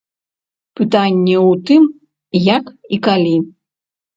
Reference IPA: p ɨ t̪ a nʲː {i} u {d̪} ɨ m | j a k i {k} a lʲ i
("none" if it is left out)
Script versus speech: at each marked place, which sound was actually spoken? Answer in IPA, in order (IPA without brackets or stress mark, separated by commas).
ɛ, t̪, k